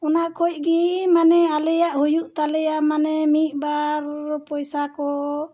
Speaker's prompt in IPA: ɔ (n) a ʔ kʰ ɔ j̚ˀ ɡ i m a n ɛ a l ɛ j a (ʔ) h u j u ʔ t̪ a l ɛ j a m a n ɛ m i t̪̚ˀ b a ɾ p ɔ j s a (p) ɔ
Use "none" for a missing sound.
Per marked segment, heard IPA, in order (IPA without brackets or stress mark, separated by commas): n, ʔ, k